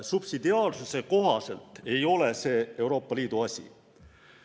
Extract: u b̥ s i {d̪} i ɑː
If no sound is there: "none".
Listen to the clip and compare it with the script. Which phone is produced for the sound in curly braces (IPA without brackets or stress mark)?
d̪